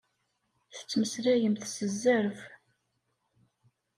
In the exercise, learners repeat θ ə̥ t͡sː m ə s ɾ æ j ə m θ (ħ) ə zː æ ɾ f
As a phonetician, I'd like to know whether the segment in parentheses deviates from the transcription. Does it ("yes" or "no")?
yes